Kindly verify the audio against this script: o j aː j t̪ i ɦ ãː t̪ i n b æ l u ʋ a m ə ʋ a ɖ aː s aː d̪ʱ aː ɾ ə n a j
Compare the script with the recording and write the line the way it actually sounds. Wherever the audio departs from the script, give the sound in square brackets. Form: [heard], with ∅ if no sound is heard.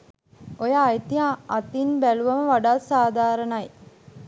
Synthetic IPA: o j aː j t̪ i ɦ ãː t̪ i n b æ l u ʋ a m ə ʋ a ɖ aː s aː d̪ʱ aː ɾ ə n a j